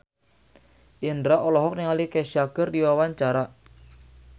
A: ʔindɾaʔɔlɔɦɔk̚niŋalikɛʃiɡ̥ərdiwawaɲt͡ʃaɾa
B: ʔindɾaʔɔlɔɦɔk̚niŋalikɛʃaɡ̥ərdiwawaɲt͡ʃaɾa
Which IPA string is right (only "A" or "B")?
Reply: B